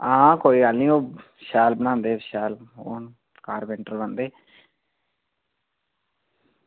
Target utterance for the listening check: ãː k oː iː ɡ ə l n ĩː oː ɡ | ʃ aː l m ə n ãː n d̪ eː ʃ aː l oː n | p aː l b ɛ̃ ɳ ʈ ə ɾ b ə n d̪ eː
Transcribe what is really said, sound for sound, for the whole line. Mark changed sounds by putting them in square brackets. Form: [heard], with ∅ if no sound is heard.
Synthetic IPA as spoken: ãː k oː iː ɡ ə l n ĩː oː [∅] | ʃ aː l [b] ə n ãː n d̪ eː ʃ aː l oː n | [k] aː [ɾ] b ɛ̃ ɳ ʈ ə ɾ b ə n d̪ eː

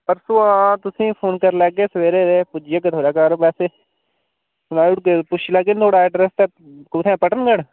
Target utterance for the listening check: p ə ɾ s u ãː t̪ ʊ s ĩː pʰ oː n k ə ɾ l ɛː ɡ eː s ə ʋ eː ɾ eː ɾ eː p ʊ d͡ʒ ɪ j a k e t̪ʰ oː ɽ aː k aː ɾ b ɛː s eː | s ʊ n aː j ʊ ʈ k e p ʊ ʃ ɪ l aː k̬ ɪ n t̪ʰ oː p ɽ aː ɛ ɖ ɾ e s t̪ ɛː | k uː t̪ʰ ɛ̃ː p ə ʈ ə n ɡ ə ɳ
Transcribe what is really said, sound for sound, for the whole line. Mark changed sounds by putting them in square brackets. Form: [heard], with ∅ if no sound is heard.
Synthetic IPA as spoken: p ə ɾ s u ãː t̪ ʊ s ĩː pʰ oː n k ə ɾ l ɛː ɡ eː s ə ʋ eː ɾ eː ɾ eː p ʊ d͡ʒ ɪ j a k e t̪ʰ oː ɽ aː k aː ɾ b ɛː s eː | s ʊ n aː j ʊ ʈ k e p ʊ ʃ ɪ l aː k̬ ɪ n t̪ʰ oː [∅] ɽ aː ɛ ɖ ɾ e s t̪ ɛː | k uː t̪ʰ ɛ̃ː p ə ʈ ə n ɡ ə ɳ

